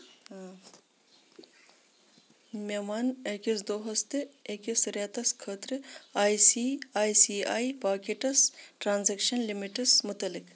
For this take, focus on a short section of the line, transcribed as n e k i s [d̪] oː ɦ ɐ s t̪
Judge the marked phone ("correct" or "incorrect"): correct